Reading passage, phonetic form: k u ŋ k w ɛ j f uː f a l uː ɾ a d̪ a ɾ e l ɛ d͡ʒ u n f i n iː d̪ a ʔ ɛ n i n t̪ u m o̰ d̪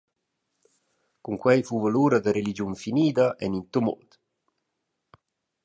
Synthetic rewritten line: k u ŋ k w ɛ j f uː v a l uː ɾ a d̪ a ɾ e l i d͡ʒ u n f i n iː d̪ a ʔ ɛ n i n t̪ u m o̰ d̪

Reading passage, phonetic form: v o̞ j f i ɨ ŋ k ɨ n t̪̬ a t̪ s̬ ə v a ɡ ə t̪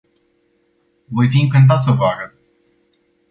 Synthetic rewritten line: v o̞ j f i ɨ ŋ k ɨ n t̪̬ a t̪ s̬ ə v a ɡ ə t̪

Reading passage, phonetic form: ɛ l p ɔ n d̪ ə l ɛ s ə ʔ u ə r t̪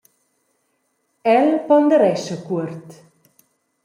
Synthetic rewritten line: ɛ l p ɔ n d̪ ə ɾ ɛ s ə k u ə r t̪

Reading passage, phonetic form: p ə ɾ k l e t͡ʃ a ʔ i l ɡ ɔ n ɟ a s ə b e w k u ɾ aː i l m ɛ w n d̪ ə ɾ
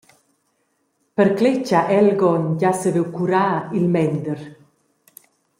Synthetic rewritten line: p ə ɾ k l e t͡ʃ a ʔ ɛ l ɡ ɔ n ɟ a s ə v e w k u ɾ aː i l m ɛ n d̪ ə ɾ

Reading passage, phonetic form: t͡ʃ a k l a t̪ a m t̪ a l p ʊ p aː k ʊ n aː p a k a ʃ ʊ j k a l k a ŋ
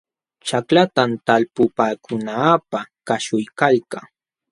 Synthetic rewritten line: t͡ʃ a k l a t̪ a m t̪ a l p ʊ p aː k ʊ n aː p a k a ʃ ʊ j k a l k a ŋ

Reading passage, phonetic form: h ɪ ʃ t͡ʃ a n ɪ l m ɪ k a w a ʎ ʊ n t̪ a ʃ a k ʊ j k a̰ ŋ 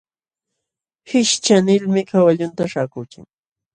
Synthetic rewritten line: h ɪ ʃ t͡ʃ a n ɪ l m ɪ k a w a ʎ ʊ n t̪ a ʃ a k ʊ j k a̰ ŋ

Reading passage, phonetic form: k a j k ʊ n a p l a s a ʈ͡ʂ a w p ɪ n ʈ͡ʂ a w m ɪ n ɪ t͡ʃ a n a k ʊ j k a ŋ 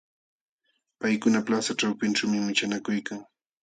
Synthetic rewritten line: p a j k ʊ n a p l a s a ʈ͡ʂ a w p ɪ n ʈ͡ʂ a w m ɪ m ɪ t͡ʃ a n a k ʊ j k a ŋ

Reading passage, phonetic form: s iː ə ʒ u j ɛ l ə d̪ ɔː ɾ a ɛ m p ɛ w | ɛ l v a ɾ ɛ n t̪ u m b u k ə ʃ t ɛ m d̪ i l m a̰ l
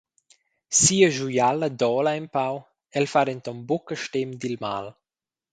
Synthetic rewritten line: s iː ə ʒ u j a l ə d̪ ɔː l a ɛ m p a w | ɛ l f a ɾ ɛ n t̪ ɔ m b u k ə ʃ t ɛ m d̪ i l m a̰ l

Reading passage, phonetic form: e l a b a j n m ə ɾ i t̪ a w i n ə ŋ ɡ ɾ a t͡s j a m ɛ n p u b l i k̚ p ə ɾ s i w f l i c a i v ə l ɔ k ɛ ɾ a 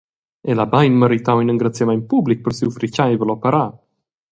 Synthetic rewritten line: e l a b a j n m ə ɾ i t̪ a w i n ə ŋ ɡ ɾ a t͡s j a m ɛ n p u b l i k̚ p ə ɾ s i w f ɾ i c a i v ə l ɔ p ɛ ɾ a

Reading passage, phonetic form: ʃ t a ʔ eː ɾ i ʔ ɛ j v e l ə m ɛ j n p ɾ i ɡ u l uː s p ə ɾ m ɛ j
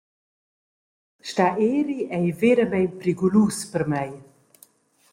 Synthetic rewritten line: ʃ t a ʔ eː ɾ i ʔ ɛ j v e ɾ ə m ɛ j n p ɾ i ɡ u l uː s p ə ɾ m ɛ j

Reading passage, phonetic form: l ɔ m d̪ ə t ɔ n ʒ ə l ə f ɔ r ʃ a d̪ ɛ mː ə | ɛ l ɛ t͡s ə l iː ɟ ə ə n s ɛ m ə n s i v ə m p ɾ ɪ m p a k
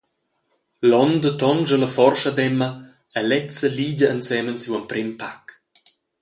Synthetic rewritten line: l ɔ n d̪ ə t ɔ n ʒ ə l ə f ɔ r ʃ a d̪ ɛ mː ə | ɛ l ɛ t͡s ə l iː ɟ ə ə n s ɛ m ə n s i w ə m p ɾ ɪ m p a k

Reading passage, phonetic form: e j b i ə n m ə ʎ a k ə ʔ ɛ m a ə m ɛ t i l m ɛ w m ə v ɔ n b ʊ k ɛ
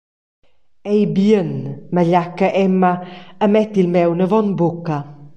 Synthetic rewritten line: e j b i ə n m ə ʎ a k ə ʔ ɛ m a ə m ɛ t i l m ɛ w n ə v ɔ n b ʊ k a

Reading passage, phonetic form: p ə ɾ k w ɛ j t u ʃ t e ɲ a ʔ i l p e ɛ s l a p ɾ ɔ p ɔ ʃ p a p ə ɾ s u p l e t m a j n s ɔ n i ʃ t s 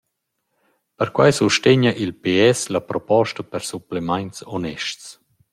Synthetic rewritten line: p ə ɾ k w a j s u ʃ t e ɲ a ʔ i l p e ɛ s l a p ɾ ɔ p ɔ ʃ t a p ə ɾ s u p l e m a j n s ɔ n ɛ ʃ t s

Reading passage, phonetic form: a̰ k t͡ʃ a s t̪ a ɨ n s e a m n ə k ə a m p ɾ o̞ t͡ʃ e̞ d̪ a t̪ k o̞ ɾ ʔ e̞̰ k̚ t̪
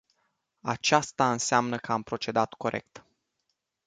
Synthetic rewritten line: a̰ t͡ʃ a s t̪ a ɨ n s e a m n ə k ə a m p ɾ o̞ t͡ʃ e̞ d̪ a t̪ k o̞ ɾ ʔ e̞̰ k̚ t̪

